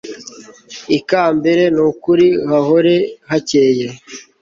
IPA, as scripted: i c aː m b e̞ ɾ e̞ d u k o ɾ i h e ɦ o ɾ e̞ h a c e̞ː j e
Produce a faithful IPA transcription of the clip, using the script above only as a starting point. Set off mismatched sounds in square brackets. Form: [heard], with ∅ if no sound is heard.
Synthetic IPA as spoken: i [k] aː m b e̞ ɾ e̞ [n] u k [u] ɾ i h [a] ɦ o ɾ e̞ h a c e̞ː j e